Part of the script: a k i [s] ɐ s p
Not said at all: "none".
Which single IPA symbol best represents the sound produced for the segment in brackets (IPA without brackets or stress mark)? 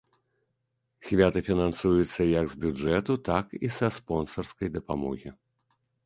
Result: s